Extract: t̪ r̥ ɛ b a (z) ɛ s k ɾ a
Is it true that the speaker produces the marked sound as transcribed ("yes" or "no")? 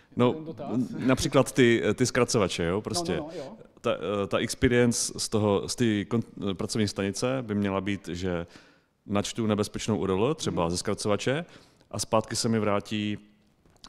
yes